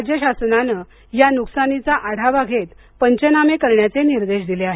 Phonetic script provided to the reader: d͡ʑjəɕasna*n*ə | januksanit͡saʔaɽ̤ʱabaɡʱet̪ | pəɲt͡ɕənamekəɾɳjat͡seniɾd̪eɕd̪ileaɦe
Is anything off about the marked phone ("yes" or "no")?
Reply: no